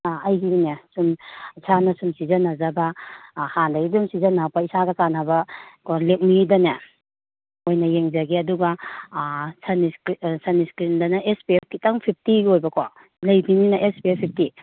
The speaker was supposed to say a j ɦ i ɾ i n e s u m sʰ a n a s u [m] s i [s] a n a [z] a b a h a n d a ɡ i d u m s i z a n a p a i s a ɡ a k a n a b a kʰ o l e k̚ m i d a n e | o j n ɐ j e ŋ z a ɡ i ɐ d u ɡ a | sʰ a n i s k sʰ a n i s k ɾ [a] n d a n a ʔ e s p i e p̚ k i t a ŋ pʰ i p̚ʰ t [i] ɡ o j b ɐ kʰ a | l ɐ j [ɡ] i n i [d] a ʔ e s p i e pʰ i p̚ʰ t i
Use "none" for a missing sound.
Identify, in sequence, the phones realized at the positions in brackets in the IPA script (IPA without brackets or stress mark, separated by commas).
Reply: m, z, z, i, i, b, n